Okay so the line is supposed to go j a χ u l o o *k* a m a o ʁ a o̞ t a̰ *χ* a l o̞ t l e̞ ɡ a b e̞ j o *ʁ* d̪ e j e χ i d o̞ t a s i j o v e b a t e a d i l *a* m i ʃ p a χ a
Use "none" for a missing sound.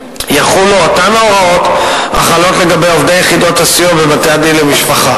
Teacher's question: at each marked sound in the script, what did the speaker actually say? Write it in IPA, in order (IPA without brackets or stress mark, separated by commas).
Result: t, χ, v, e